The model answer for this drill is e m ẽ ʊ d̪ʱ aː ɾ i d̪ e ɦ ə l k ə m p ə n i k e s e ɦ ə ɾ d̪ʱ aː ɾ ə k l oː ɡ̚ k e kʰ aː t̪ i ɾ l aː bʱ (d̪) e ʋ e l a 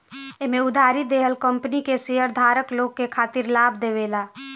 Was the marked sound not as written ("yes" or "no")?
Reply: no